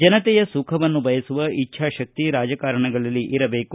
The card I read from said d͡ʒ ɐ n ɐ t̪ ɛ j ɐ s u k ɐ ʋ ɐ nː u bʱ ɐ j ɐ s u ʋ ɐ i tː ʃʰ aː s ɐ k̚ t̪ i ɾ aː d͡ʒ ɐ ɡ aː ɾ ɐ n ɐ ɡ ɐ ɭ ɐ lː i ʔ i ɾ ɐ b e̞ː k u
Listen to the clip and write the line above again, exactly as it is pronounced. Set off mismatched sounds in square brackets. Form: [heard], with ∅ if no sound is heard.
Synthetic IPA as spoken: d͡ʒ ɐ n ɐ t̪ ɛ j ɐ s u [kʰ] ɐ ʋ ɐ nː u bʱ ɐ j ɐ s u ʋ ɐ i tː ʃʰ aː [ʃ] ɐ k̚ t̪ i ɾ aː d͡ʒ ɐ [k] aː ɾ ɐ [ɳ] ɐ ɡ ɐ ɭ ɐ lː i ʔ i ɾ ɐ b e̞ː k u